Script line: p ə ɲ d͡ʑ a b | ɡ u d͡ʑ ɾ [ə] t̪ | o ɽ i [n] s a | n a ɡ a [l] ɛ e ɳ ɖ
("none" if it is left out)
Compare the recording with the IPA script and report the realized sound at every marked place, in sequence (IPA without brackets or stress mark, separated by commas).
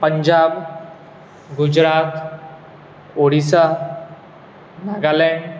a, none, l